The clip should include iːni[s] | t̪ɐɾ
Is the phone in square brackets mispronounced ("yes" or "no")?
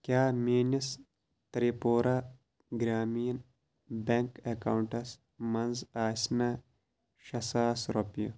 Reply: no